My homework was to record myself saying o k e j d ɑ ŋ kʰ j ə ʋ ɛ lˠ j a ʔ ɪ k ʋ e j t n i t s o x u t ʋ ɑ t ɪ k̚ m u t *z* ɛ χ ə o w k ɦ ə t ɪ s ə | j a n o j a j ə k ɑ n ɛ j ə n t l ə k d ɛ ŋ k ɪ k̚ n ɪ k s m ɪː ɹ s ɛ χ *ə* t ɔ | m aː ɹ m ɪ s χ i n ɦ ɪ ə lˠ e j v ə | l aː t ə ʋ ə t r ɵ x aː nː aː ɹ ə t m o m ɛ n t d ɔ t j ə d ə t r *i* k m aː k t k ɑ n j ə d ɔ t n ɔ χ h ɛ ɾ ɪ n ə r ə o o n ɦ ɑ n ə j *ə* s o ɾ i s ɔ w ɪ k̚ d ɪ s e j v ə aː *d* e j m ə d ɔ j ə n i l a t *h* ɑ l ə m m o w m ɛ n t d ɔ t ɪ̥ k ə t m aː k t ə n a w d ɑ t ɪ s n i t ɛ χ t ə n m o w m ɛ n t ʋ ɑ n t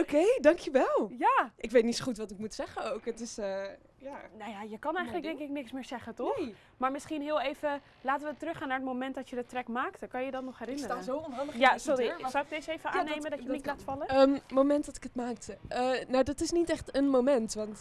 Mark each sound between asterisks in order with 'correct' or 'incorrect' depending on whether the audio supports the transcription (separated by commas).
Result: incorrect, correct, incorrect, incorrect, incorrect, incorrect